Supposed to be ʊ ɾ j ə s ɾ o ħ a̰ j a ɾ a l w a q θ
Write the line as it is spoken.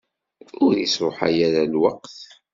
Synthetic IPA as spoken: ʊ ɾ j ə s ɾ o ħ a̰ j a ɾ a l w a q θ